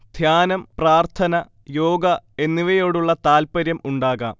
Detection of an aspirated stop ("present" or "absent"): present